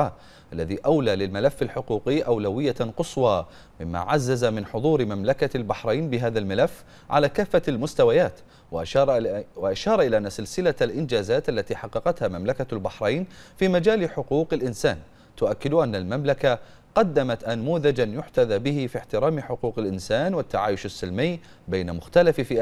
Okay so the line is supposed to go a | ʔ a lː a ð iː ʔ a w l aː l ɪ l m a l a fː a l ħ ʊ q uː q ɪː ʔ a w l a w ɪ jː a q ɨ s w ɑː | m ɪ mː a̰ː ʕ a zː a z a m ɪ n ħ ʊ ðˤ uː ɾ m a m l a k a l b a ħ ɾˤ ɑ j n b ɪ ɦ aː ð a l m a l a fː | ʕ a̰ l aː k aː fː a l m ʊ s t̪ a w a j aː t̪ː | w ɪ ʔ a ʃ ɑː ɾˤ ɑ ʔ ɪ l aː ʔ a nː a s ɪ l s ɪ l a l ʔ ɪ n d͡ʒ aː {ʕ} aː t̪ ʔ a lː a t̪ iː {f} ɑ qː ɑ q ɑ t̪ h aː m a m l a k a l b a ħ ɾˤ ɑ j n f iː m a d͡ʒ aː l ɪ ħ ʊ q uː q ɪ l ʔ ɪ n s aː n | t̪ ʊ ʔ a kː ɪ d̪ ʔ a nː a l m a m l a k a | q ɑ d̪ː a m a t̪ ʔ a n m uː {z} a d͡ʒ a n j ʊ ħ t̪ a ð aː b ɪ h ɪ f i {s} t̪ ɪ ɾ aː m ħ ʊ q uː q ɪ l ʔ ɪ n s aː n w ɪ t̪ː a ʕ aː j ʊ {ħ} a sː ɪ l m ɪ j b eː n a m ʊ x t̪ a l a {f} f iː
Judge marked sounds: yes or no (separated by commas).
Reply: no, no, no, no, no, yes